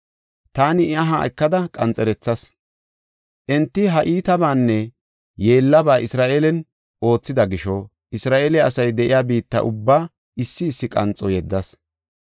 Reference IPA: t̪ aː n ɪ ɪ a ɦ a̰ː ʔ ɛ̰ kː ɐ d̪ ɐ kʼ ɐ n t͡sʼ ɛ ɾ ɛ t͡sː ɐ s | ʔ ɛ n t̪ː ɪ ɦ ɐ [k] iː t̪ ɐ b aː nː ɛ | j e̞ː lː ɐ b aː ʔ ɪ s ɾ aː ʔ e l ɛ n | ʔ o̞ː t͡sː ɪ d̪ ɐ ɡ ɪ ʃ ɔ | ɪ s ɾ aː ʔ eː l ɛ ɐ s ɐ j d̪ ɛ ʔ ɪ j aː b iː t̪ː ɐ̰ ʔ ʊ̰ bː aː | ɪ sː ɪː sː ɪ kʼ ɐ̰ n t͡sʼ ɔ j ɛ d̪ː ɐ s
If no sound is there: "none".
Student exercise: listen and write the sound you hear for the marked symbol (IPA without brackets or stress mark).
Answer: ʔ